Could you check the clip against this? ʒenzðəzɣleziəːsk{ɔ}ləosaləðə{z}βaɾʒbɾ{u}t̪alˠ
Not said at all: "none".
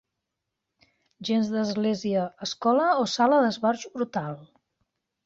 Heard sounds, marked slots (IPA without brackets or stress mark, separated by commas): ɔ, z, u